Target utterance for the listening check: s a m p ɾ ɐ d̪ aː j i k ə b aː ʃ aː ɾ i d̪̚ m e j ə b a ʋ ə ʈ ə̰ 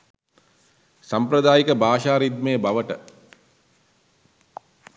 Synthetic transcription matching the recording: s a m p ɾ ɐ d̪ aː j i k ə b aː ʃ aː ɾ i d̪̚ m e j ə b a ʋ ə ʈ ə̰